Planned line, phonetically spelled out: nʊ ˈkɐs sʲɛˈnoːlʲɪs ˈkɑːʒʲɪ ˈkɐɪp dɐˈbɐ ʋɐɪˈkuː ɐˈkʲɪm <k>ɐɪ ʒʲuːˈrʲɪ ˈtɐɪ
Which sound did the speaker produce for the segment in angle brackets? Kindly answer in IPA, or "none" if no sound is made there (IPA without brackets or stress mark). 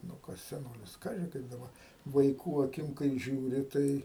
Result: k